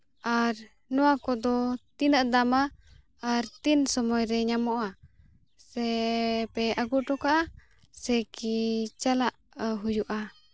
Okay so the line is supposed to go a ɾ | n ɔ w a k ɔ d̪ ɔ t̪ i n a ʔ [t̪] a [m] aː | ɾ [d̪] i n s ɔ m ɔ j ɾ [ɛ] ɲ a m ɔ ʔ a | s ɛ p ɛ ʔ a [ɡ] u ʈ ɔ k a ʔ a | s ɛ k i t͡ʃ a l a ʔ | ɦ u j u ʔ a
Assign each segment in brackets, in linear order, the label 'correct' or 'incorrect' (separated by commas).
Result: incorrect, correct, incorrect, correct, correct